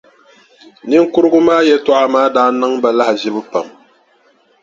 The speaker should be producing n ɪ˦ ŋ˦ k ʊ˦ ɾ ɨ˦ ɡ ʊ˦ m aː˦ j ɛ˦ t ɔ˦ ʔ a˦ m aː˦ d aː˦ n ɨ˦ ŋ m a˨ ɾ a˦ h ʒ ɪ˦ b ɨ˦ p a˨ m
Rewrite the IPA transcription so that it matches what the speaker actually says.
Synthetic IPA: n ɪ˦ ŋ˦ k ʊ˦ ɾ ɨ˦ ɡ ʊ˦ m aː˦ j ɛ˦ t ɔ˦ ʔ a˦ m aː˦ d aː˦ n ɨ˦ ŋ b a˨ l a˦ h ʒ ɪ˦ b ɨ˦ p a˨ m